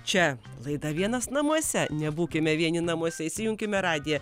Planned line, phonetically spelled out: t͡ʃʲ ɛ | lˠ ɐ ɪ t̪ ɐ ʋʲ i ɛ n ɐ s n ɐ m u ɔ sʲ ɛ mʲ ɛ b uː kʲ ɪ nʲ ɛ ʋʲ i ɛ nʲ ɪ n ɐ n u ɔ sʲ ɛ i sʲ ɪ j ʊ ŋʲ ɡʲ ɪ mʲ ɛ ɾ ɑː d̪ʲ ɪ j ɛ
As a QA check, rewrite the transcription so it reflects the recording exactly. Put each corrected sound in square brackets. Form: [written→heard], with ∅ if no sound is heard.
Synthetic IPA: t͡ʃʲ ɛ | lˠ ɐ ɪ [t̪→d̪] ɐ ʋʲ i ɛ n ɐ s n ɐ m u ɔ sʲ ɛ [mʲ→nʲ] ɛ b uː kʲ ɪ [nʲ→mʲ] ɛ ʋʲ i ɛ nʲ ɪ n ɐ [n→m] u ɔ sʲ ɛ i sʲ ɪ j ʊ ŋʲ [ɡʲ→kʲ] ɪ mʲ ɛ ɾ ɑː d̪ʲ ɪ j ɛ